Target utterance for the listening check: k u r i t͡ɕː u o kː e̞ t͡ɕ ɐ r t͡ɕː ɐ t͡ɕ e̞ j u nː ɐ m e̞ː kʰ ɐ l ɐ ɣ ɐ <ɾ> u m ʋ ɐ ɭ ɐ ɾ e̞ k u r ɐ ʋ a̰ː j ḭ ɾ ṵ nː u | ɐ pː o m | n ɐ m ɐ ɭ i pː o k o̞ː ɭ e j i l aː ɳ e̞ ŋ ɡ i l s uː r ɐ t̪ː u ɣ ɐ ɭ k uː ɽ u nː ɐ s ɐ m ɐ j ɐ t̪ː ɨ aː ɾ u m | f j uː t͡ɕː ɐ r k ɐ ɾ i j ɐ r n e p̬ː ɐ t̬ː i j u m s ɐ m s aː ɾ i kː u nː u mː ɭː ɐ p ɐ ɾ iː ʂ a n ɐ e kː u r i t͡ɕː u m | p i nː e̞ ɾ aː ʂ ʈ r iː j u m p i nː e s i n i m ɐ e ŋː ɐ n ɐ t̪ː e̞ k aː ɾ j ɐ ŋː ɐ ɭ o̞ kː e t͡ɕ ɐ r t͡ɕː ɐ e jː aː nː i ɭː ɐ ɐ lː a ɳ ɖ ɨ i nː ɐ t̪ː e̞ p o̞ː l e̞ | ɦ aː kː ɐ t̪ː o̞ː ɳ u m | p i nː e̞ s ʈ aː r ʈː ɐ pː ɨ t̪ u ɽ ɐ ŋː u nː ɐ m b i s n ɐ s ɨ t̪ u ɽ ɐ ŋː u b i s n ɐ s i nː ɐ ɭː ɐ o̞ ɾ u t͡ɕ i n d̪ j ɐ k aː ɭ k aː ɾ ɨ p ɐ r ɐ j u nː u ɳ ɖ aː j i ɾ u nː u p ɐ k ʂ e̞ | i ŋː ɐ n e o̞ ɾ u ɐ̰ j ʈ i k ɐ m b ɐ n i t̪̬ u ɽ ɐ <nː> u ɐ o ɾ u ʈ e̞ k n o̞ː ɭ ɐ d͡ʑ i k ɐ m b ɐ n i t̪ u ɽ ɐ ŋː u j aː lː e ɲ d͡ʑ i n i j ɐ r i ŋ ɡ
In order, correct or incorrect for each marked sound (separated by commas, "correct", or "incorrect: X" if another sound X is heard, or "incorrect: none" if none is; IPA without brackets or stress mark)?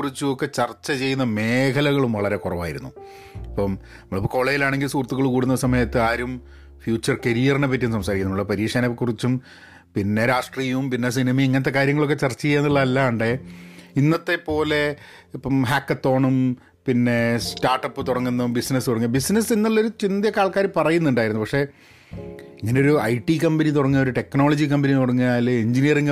incorrect: ɭ, incorrect: ŋː